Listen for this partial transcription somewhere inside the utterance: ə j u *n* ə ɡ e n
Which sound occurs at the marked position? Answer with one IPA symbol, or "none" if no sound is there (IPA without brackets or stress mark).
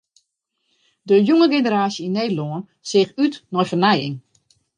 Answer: ŋ